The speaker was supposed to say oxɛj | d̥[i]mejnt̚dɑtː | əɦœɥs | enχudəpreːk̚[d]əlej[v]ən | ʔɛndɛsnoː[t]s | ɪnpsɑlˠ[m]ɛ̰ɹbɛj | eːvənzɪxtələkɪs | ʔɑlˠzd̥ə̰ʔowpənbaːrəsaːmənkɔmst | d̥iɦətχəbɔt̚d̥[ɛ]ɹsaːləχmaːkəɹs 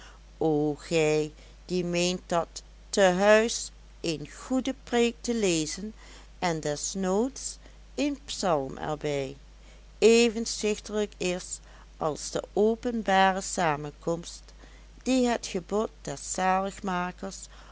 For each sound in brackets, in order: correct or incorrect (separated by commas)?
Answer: correct, incorrect, incorrect, correct, correct, correct